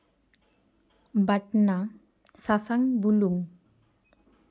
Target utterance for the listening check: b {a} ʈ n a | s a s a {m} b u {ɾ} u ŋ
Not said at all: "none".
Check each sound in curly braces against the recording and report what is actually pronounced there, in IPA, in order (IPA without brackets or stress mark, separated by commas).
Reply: a, ŋ, l